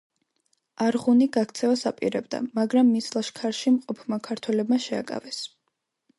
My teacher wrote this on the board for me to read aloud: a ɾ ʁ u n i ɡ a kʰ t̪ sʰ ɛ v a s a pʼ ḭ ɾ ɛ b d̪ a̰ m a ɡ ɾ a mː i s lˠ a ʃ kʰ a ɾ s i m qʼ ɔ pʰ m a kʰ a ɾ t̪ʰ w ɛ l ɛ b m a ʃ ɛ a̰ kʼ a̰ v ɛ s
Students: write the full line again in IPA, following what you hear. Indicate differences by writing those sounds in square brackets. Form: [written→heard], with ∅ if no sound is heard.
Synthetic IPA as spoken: a ɾ ʁ u n i ɡ a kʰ t̪ sʰ ɛ v a s a pʼ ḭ ɾ ɛ b d̪ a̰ m a ɡ ɾ a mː i s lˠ a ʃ kʰ a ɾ [s→ʃ] i m qʼ ɔ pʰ m a kʰ a ɾ t̪ʰ w ɛ l ɛ b m a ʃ ɛ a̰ kʼ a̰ v ɛ s